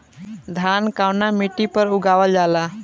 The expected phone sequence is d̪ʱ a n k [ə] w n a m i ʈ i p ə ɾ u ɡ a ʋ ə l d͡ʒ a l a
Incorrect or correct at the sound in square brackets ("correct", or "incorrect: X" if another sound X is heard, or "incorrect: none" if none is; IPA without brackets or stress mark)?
incorrect: a